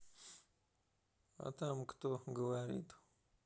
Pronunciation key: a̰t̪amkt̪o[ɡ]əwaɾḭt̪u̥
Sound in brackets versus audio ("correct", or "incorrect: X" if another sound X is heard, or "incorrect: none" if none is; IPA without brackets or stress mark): correct